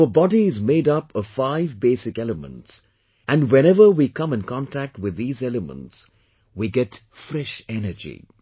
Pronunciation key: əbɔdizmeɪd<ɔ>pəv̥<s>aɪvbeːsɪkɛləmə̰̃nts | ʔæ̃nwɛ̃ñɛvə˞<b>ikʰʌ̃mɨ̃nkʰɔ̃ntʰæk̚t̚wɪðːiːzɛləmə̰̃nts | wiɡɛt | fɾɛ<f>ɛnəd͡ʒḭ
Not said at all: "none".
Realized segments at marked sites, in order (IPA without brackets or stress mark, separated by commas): ʌ, f, w, ʃ